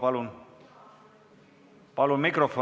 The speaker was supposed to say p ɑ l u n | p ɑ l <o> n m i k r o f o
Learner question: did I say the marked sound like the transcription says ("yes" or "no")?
no